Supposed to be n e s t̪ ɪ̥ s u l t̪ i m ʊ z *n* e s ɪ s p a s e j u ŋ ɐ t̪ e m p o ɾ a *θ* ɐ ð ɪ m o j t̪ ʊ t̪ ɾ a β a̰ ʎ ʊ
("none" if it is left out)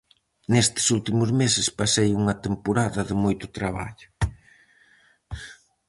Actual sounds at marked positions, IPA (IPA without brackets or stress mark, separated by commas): m, ð